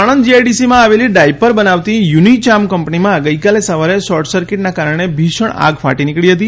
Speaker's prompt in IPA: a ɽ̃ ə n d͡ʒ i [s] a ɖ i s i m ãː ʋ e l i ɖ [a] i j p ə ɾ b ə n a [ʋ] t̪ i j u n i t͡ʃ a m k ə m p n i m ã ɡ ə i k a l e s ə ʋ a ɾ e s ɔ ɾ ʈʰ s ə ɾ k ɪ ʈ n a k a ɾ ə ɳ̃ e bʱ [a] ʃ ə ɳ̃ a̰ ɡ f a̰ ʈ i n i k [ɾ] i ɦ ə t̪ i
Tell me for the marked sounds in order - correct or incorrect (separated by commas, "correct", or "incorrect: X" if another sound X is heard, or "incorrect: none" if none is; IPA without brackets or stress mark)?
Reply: incorrect: none, correct, correct, incorrect: i, incorrect: ɭ